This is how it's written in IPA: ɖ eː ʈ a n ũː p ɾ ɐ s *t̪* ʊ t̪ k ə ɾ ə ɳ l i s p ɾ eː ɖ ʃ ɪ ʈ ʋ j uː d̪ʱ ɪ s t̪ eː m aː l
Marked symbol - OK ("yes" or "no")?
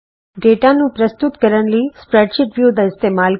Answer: yes